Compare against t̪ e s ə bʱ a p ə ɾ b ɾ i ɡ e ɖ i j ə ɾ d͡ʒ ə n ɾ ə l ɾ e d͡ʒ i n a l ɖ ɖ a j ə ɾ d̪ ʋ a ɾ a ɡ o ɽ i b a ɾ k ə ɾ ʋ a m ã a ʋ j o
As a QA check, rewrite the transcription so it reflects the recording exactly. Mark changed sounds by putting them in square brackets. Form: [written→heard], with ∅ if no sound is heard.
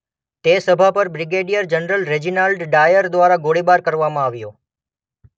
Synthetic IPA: t̪ e s ə bʱ a p ə ɾ b ɾ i ɡ e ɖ i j ə ɾ d͡ʒ ə n ɾ ə l ɾ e d͡ʒ i n a l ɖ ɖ a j ə ɾ d̪ ʋ a ɾ a ɡ o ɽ i b a ɾ k ə ɾ ʋ a m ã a ʋ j o

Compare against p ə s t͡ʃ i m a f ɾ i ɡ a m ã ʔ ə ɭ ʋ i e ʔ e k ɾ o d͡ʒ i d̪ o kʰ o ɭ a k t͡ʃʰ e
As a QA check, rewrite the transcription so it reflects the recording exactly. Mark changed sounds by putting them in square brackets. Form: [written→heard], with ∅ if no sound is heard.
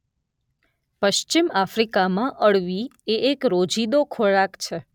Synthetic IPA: p ə [s→ʃ] t͡ʃ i m a f ɾ i [ɡ→k] a m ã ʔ ə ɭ ʋ i e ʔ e k ɾ o d͡ʒ i d̪ o kʰ o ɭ a k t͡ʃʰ e

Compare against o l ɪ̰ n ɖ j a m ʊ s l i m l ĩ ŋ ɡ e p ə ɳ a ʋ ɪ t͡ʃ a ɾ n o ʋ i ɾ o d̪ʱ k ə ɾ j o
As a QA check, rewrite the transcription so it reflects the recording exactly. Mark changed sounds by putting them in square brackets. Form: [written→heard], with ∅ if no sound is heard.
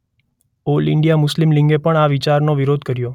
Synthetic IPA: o l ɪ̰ [n→ɳ] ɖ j a m ʊ s l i m l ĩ ŋ ɡ e p ə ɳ a ʋ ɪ t͡ʃ a ɾ n o ʋ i ɾ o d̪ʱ k ə ɾ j o

